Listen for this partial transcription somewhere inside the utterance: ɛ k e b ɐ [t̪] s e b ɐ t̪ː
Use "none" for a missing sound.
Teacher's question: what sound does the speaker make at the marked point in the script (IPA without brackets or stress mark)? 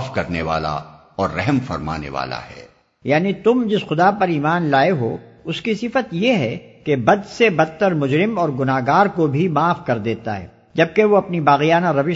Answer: d̪